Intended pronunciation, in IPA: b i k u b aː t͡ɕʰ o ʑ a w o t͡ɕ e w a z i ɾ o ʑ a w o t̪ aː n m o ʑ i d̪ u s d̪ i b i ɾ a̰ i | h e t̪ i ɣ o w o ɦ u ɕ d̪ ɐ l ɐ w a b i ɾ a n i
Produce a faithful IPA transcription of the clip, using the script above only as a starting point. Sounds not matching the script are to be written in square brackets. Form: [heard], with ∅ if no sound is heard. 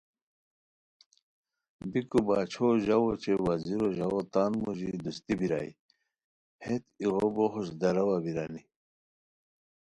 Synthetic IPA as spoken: b i k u b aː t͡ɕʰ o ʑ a w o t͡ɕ e w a z i ɾ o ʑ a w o t̪ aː n m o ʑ i d̪ u s [t̪] i b i ɾ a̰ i | h e t̪ i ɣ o [b] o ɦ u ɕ d̪ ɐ [ɾ] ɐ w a b i ɾ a n i